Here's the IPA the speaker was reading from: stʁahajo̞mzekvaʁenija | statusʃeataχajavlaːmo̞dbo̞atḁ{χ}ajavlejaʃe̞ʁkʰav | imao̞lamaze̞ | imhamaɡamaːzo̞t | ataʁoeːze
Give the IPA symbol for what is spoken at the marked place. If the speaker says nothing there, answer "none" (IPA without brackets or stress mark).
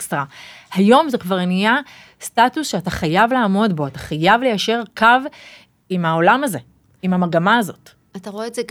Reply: χ